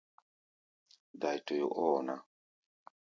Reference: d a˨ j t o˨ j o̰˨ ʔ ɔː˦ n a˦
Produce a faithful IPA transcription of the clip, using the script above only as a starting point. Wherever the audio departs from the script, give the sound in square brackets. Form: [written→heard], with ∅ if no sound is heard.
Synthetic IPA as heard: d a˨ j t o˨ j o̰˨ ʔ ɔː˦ n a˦